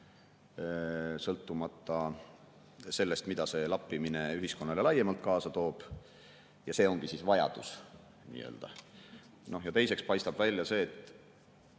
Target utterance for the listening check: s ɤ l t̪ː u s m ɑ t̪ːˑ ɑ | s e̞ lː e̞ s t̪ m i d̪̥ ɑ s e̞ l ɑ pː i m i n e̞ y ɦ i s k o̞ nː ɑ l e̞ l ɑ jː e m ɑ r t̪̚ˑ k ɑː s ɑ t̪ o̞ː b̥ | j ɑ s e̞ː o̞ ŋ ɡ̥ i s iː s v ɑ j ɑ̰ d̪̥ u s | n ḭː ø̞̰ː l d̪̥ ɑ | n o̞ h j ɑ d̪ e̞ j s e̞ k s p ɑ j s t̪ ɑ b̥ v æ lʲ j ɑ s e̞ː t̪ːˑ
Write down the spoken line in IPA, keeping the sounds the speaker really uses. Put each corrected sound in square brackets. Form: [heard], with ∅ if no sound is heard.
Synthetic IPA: s ɤ l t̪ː u [∅] m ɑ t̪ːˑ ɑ | s e̞ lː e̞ s t̪ m i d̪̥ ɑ s e̞ l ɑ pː i m i n e̞ y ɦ i s k o̞ nː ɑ l e̞ l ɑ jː e m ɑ [l] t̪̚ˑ k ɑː s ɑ t̪ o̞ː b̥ | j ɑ s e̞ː o̞ ŋ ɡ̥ i s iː s v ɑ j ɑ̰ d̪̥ u s | n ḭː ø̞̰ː l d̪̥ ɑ | n o̞ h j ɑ [t̪] e̞ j s e̞ k s p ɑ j s t̪ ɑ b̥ v æ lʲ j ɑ s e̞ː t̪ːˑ